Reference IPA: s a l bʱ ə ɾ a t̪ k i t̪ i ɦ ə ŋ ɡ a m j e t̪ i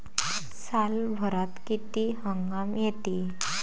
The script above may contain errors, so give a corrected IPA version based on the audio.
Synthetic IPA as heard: s a l bʱ ə ɾ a t̪ k i t̪ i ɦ ə ŋ ɡ a m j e t̪ i